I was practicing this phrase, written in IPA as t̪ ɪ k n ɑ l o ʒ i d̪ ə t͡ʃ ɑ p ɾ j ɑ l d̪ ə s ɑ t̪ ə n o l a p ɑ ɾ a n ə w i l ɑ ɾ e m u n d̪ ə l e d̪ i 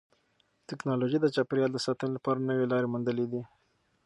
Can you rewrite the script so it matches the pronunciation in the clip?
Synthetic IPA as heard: t̪ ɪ k n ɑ l o ʒ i d̪ ə t͡ʃ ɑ p ɾ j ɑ l d̪ ə s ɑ t̪ ə n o l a p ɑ ɾ a n ə w e l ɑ ɾ e m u n d̪ ə l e d̪ i